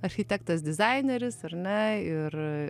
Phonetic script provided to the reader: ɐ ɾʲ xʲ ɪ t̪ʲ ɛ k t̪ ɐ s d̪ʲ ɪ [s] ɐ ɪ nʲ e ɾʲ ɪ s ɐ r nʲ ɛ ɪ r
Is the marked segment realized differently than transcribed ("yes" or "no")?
yes